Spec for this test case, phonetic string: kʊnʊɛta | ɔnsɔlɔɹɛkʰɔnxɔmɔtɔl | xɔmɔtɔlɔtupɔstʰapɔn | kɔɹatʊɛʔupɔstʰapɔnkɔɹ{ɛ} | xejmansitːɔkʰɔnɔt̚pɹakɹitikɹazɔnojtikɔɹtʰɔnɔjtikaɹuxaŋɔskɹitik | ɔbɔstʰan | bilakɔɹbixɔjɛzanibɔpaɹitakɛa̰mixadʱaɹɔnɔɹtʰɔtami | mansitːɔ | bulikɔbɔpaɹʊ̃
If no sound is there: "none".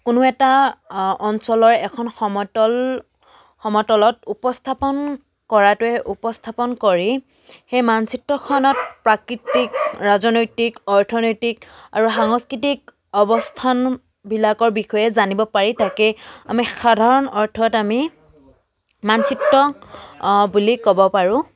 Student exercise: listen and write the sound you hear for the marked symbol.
i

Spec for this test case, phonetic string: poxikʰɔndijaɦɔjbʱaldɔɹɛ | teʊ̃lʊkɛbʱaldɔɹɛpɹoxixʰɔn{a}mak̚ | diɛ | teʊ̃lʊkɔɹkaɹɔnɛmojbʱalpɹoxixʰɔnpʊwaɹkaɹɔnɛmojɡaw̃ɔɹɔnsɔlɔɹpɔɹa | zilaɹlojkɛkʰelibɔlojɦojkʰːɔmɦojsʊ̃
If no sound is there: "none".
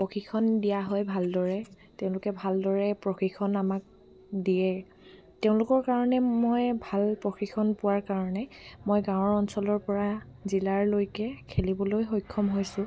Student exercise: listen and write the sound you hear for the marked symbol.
a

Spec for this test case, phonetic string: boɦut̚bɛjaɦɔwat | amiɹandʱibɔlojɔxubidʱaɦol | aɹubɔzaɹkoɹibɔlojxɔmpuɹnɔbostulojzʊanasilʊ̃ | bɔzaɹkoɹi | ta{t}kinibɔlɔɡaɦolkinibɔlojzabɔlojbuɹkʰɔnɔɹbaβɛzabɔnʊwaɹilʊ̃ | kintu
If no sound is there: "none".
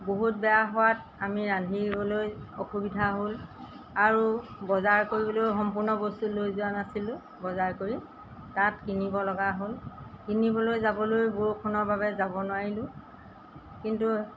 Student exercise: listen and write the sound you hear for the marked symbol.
t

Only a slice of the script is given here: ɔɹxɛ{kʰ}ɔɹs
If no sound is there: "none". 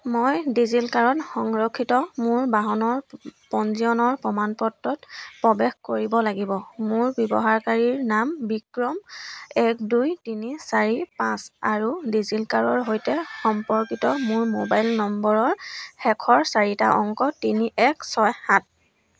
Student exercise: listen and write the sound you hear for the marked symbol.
kʰ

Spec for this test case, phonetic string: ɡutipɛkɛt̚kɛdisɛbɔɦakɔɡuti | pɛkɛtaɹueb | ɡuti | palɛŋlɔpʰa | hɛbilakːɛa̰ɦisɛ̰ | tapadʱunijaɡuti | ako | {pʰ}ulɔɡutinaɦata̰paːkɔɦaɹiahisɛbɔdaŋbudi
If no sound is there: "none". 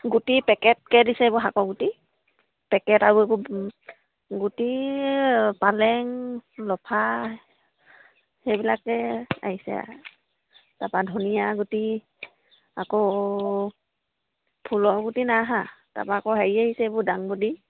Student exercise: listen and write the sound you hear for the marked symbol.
pʰ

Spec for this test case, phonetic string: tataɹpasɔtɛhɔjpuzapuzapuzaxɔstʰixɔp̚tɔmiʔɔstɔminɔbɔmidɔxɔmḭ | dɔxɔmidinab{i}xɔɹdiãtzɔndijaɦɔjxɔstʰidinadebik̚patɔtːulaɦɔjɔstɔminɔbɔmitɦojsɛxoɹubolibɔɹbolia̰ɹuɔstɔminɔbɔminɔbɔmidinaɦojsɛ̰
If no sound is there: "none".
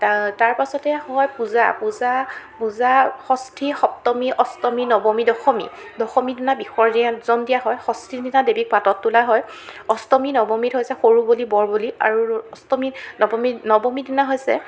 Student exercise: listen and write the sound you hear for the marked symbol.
i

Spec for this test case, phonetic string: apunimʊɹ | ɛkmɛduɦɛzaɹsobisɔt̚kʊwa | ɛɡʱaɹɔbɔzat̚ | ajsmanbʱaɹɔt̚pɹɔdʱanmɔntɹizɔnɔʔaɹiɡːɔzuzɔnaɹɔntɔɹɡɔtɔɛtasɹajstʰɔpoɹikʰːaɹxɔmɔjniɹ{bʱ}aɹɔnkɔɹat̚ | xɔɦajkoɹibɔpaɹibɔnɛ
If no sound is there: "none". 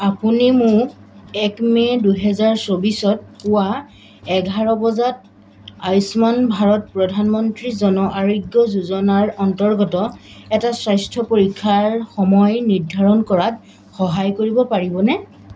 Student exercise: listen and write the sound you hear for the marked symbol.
dʱ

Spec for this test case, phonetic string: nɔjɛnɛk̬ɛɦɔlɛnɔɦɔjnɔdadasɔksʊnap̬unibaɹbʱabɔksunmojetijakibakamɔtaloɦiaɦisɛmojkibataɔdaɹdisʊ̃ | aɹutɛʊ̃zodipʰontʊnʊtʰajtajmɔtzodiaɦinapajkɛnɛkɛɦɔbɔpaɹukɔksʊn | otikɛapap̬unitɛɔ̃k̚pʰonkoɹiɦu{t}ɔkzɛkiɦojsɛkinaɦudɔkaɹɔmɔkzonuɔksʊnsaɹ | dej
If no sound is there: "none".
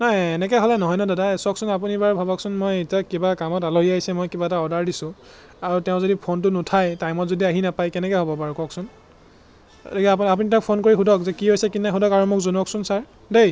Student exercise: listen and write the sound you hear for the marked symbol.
d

